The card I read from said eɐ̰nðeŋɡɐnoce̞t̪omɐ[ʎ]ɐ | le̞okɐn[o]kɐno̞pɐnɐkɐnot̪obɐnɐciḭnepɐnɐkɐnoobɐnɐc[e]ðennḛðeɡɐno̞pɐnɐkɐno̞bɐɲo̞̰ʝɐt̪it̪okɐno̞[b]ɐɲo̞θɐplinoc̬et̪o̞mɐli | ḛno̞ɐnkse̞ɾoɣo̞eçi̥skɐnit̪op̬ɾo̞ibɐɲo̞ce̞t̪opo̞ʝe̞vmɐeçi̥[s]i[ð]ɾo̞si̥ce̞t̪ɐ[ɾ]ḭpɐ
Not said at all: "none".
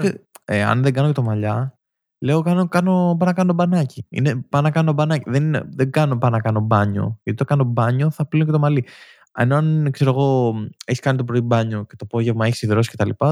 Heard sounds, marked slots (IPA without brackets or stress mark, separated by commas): ʎ, o, i, b, s, ð, l